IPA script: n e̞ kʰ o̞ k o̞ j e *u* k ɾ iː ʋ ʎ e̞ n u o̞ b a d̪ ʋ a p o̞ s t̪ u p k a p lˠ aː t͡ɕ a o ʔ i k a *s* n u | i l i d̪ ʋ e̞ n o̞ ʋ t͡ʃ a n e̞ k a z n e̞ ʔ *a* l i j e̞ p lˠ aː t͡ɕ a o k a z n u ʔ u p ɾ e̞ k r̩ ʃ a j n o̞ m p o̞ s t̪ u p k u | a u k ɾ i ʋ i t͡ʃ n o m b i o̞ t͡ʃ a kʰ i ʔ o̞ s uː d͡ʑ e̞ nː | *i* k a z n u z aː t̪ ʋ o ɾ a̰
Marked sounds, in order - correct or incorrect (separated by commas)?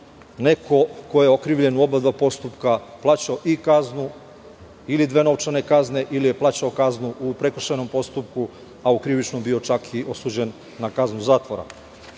incorrect, incorrect, incorrect, incorrect